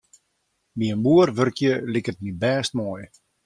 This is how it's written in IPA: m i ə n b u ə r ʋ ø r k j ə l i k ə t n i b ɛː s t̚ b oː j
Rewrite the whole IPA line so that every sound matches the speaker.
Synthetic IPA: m i ə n b u ə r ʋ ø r k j ə l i k ə t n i b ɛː s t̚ m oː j